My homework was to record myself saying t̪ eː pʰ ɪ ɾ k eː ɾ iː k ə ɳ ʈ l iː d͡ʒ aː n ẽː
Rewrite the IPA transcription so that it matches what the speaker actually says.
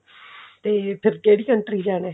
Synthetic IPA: t̪ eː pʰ ɪ ɾ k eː ɽ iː k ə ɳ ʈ ɾ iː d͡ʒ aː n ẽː